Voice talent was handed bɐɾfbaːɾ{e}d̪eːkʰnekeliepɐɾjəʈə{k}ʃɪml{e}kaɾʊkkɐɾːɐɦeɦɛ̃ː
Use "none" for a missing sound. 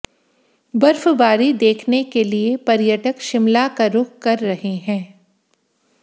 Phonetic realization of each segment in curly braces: i, k, a

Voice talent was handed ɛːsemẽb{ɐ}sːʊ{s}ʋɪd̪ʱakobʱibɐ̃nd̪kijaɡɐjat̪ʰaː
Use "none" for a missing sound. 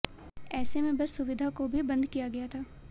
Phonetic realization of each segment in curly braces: ɐ, none

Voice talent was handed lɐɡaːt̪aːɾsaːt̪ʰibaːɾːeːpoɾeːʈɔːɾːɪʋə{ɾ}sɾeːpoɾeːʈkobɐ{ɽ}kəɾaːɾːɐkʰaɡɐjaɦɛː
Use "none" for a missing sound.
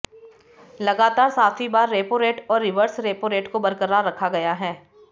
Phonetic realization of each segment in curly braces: ɾ, ɾ

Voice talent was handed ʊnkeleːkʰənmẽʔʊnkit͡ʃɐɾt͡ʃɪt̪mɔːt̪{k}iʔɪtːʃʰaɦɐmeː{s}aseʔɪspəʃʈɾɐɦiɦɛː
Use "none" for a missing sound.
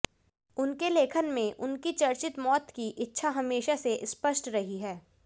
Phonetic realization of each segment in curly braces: k, ʃ

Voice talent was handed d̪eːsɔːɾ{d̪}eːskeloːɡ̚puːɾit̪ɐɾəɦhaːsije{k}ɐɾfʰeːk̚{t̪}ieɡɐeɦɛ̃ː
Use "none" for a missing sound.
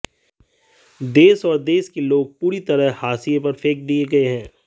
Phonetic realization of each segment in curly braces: d̪, p, d̪

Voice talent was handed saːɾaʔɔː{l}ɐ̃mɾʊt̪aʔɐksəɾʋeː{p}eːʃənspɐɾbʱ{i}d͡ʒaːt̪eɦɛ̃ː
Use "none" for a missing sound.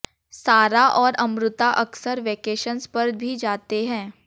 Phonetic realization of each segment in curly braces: ɾ, k, i

